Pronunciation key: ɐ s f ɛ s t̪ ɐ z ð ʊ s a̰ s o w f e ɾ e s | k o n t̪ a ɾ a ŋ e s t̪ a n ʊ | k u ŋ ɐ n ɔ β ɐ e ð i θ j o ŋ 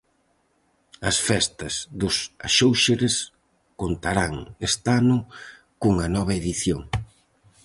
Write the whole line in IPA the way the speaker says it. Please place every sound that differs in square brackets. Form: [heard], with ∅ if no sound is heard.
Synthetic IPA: ɐ s f ɛ s t̪ ɐ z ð ʊ s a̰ [ʃ] o w [ʃ] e ɾ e s | k o n t̪ a ɾ a ŋ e s t̪ a n ʊ | k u ŋ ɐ n ɔ β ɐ e ð i θ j o ŋ

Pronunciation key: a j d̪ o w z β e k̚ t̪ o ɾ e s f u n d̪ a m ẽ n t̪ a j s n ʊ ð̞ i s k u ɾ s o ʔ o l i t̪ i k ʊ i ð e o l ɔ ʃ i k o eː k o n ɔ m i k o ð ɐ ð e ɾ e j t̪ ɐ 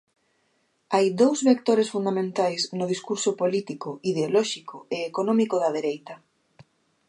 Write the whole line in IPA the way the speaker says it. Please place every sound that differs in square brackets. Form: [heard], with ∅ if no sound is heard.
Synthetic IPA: a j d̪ o w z β e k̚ t̪ o ɾ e s f u n d̪ a m ẽ n t̪ a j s n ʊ ð̞ i s k u ɾ s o [p] o l i t̪ i k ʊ i ð e o l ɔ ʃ i k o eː k o n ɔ m i k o ð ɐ ð e ɾ e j t̪ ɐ

